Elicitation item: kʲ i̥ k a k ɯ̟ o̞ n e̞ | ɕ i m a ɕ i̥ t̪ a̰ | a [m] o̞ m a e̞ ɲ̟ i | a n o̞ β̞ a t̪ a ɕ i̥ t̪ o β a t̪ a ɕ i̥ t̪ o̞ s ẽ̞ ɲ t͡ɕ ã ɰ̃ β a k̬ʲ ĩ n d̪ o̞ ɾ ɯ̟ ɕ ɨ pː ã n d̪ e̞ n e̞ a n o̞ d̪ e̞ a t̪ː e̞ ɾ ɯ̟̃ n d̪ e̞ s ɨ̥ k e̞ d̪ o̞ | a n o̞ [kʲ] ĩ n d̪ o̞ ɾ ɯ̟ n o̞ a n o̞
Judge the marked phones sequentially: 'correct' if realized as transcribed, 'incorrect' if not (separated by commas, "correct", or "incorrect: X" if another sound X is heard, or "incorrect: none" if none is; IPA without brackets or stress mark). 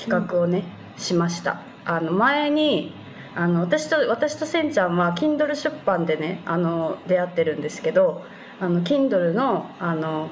incorrect: n, correct